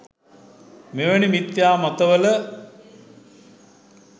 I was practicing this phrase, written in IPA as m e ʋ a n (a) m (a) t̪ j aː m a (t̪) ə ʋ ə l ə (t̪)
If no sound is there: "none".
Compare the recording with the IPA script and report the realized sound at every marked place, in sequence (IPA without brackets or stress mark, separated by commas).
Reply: i, i, t̪, none